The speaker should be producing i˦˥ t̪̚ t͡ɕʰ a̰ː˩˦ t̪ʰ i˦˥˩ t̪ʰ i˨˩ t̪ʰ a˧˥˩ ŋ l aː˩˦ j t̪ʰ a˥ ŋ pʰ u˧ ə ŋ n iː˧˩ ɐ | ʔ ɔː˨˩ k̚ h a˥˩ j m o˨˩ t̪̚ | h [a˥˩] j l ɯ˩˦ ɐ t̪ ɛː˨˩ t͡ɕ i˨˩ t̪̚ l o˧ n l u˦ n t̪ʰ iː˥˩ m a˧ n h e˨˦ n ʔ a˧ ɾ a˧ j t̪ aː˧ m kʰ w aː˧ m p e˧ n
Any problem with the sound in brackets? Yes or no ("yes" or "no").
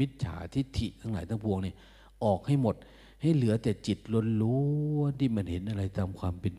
no